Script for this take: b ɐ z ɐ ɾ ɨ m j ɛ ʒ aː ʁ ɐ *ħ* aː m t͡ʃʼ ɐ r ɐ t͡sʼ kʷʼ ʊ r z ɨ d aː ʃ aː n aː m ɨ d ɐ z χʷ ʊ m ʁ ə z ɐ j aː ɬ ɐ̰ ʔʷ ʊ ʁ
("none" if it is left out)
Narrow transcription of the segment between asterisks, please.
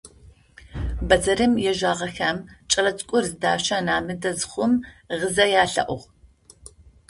x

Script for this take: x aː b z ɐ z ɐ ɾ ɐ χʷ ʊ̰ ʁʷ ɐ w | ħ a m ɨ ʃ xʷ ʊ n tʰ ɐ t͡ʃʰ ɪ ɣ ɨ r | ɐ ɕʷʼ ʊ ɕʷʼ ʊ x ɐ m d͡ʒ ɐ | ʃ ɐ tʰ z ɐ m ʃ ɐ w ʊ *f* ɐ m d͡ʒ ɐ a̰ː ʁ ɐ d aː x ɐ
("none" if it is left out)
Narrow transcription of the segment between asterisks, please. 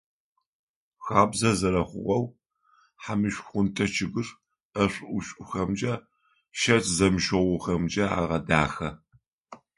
x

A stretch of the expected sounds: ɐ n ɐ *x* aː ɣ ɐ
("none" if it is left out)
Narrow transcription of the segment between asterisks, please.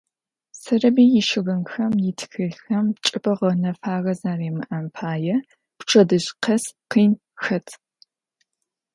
f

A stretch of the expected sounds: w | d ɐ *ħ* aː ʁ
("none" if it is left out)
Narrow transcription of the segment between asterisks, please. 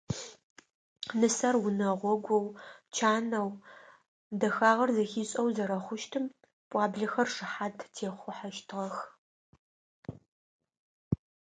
x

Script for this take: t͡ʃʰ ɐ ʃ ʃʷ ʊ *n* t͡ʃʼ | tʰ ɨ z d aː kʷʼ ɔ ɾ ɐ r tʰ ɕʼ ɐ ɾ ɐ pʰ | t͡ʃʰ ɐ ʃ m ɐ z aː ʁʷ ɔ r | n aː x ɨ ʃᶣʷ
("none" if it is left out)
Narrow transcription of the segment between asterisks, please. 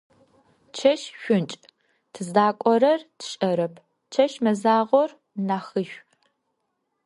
n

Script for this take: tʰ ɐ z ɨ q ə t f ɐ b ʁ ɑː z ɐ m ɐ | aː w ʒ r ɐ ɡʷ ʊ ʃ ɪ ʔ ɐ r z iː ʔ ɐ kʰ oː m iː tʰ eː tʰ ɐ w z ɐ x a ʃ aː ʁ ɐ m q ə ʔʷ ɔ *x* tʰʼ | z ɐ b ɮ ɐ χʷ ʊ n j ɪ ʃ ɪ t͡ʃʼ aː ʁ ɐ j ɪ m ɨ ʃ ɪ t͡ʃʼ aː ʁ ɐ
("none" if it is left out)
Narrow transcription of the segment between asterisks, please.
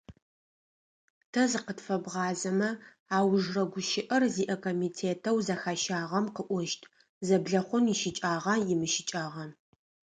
ʃ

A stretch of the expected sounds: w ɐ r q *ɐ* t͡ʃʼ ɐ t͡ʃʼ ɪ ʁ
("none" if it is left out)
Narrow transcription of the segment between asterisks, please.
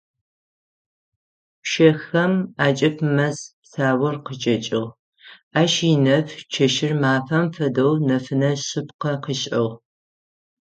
ə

